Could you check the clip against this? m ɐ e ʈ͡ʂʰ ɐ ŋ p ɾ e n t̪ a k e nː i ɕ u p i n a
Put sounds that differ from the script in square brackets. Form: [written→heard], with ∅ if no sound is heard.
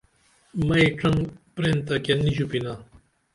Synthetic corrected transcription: m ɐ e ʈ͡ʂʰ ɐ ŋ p ɾ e n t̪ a k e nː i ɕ u p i n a